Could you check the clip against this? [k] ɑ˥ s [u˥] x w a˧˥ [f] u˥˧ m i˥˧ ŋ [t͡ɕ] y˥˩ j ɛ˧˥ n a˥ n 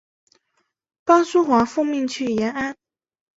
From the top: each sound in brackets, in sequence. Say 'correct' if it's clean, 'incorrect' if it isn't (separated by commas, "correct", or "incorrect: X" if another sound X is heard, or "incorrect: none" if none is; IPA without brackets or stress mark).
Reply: incorrect: p, correct, correct, incorrect: t͡ɕʰ